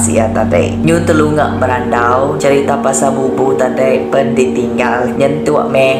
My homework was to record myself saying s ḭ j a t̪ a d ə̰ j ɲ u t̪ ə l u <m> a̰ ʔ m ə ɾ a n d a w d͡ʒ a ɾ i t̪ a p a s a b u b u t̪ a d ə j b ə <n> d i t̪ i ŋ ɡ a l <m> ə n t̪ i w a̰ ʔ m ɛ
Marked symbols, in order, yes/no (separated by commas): no, yes, no